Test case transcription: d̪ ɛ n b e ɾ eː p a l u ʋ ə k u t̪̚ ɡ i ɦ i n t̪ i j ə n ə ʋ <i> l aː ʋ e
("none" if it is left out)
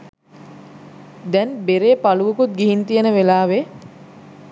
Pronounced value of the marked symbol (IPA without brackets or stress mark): e